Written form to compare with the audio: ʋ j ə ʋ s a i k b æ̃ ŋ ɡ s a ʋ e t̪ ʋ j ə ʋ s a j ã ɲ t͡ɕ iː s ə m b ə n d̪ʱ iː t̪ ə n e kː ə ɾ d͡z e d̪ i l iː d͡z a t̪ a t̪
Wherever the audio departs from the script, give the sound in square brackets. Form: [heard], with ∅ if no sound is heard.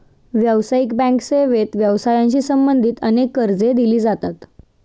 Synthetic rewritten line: ʋ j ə ʋ s a i k b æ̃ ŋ [k] s [e] ʋ e t̪ ʋ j ə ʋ s a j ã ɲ t͡ɕ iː s ə m b ə n d̪ʱ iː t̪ ə n e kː ə ɾ d͡z e d̪ i l iː d͡z a t̪ a t̪